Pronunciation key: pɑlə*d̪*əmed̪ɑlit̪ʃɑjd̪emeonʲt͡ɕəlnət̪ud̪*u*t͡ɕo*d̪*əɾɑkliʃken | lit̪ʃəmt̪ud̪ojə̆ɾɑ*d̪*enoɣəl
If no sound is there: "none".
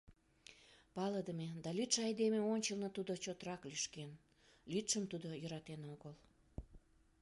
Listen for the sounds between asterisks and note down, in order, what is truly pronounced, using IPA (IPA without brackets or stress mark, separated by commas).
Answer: d̪, o, t̪, t̪